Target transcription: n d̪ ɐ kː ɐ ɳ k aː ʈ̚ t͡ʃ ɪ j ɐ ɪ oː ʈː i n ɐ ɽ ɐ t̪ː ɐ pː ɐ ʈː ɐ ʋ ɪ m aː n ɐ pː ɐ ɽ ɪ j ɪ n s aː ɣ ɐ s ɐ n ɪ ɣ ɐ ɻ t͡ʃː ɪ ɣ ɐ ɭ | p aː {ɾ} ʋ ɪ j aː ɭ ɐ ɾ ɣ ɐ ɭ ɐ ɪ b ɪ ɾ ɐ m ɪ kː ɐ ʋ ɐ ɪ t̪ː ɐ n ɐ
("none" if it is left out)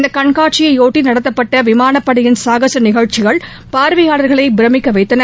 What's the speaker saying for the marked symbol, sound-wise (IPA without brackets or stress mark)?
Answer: ɾ